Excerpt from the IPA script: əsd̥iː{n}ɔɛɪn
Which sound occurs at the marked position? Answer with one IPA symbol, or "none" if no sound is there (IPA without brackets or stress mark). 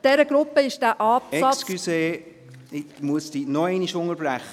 n